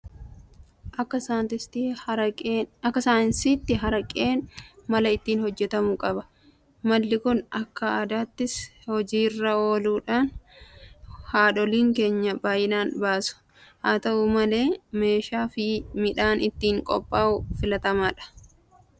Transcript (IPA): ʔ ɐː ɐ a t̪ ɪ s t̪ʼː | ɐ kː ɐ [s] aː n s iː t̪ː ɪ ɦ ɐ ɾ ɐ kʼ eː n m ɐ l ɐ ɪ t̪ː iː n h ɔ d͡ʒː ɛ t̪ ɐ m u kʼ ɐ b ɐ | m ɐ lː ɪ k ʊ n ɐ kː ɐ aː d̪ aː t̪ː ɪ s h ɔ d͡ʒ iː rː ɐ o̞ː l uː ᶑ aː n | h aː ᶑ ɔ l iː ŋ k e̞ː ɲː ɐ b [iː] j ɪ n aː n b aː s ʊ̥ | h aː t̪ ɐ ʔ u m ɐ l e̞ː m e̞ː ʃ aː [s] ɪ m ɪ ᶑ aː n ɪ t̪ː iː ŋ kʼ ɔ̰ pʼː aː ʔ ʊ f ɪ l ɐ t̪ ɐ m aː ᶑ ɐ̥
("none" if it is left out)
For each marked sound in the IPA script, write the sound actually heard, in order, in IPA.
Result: s, aː, f

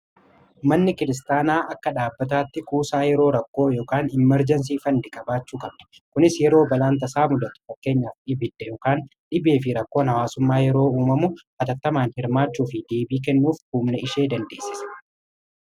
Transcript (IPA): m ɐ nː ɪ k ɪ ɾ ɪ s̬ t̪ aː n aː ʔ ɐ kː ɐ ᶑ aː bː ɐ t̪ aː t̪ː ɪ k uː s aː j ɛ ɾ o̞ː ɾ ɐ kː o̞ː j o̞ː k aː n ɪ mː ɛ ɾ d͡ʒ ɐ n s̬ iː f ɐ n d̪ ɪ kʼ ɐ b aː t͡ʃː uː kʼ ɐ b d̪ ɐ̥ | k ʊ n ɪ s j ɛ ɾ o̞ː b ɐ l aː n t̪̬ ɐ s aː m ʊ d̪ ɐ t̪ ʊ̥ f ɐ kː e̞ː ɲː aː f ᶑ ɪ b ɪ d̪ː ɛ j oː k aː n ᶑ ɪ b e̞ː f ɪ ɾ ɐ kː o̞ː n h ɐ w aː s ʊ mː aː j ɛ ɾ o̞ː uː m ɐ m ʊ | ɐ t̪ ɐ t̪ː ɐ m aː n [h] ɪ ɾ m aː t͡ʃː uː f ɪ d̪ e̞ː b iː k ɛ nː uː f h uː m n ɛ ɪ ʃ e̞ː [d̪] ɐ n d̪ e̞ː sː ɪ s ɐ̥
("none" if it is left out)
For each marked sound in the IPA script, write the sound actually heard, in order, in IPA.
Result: h, d̪

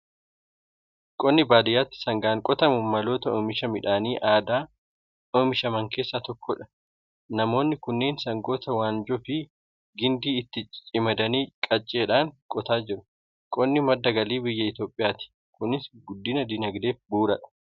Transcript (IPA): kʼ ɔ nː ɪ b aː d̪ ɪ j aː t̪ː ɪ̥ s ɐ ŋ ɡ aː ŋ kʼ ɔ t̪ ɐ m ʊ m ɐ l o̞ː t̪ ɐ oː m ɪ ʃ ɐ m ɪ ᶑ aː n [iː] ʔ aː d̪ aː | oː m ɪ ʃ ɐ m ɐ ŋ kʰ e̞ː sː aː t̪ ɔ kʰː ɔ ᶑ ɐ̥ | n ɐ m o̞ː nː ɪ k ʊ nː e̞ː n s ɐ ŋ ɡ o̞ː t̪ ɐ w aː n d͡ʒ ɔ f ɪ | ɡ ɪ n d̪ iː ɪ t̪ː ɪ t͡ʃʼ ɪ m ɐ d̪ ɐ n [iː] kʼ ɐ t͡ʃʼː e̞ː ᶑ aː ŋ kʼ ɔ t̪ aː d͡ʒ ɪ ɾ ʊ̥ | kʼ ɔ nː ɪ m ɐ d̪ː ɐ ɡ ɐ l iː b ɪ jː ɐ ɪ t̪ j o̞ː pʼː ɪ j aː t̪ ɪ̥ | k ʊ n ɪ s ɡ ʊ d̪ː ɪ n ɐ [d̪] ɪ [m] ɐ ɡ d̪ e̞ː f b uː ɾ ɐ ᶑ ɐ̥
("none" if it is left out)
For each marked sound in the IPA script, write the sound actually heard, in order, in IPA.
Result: iː, iː, d̪, n

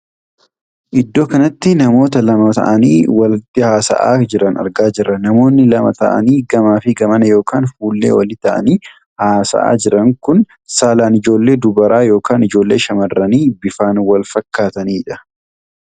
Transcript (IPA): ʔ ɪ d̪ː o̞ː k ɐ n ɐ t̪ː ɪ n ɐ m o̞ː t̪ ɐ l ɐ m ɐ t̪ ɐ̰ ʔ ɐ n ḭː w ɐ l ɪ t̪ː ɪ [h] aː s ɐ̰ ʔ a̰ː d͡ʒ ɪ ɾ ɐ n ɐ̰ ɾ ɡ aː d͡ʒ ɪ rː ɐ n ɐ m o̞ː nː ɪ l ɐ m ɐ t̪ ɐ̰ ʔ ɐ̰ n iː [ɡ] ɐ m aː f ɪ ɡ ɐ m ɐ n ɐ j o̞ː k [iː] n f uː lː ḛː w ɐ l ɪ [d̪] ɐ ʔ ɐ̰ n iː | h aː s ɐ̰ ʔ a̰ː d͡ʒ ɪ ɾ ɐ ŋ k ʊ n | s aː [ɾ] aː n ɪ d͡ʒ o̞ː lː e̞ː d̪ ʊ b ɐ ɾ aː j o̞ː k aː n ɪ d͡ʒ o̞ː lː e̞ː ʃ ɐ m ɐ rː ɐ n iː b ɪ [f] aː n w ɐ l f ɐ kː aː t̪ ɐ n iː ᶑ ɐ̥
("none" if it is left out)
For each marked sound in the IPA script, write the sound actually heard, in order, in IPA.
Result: h, ɡ, aː, t̪, l, f

